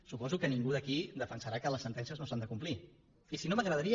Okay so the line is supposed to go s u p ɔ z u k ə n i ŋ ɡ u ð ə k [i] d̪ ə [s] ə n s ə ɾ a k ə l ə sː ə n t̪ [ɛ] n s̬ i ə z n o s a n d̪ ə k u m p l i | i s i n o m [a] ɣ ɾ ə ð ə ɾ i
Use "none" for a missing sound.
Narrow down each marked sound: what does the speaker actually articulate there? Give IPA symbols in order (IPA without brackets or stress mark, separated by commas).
i, f, ɛ, ə